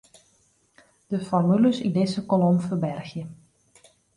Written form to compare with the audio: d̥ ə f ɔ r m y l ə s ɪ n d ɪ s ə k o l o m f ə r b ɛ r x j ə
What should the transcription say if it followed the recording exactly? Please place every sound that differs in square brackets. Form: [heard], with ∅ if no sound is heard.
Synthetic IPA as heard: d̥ ə f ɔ r m y l ə s [i] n d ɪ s ə k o l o m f ə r b ɛ r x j ə